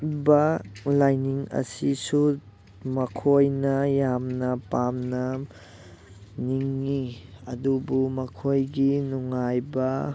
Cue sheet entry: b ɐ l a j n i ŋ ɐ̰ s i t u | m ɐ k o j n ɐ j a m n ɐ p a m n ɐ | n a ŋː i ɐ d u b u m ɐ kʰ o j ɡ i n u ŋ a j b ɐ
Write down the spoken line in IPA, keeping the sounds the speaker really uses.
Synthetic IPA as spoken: b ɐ l a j n i ŋ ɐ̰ s i s u | m ɐ kʰ o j n ɐ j a m n ɐ p a m n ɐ | n i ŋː i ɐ d u b u m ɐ kʰ o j ɡ i n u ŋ a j b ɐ